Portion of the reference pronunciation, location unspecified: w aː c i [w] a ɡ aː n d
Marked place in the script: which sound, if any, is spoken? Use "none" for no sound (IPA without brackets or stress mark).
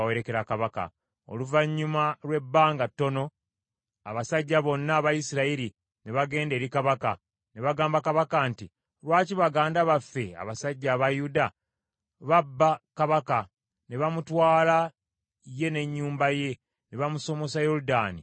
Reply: β